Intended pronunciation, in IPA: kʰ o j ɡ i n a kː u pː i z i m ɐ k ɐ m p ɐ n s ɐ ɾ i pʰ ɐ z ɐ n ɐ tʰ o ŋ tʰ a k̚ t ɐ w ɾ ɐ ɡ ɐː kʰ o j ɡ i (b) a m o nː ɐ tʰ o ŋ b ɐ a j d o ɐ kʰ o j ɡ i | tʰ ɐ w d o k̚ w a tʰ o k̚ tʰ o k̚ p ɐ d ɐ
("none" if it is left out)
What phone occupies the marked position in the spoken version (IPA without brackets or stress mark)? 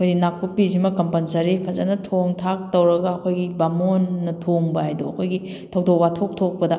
b